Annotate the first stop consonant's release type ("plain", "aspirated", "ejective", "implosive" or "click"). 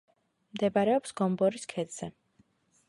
plain